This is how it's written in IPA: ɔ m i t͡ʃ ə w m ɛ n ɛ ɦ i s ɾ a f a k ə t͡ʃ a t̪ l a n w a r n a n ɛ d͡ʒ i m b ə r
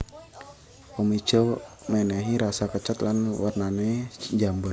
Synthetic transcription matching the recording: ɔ m i t͡ʃ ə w m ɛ n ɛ ɦ i ɾ a s a k ə t͡ʃ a t̪ l a n w a r n a n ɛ d͡ʒ a m b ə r